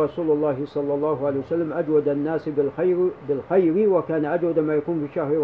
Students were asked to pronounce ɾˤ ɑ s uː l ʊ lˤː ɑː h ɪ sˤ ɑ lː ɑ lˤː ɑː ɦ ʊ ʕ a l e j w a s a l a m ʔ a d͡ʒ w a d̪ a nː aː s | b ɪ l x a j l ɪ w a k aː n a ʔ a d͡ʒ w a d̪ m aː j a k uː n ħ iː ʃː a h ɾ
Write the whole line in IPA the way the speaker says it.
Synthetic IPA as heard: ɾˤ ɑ s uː l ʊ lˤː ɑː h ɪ sˤ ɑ lː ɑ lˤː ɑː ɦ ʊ ʕ a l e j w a s a lː a m ʔ a d͡ʒ w a d̪ a nː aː s | b ɪ l x a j ɾ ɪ w a k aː n a ʔ a d͡ʒ w a d̪ m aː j a k uː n f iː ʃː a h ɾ